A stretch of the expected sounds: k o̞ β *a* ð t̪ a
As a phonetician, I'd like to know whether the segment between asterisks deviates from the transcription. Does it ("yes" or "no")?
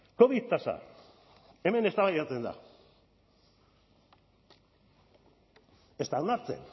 yes